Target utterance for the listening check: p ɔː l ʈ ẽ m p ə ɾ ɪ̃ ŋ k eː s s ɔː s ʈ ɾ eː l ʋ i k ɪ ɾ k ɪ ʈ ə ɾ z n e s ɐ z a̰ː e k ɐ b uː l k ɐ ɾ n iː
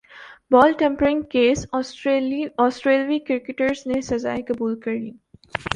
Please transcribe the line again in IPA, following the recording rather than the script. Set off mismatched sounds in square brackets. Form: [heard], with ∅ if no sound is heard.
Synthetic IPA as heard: [b] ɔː l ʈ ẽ m p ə ɾ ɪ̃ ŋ k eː s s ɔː s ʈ ɾ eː l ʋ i k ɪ ɾ k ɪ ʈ ə ɾ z n e s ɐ z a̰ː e k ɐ b uː l k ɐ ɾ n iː